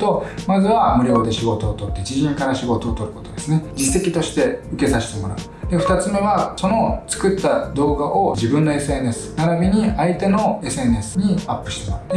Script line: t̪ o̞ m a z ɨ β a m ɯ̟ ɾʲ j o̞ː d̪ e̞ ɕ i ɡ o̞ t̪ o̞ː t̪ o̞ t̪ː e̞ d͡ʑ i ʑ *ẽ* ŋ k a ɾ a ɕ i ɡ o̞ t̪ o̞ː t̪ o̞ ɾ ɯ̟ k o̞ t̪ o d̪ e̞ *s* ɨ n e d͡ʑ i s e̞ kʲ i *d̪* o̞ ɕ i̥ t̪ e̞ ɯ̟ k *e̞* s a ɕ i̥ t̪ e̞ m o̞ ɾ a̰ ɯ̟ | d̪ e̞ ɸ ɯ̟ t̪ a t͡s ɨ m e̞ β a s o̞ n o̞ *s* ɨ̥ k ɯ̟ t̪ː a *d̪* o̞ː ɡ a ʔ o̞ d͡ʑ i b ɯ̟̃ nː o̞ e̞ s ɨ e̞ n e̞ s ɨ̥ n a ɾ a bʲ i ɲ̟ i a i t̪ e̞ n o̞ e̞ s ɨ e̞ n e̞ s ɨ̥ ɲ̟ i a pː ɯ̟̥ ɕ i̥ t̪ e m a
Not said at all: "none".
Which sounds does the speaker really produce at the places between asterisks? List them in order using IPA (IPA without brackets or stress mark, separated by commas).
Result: ĩ, s, t̪, e̞, t͡s, d̪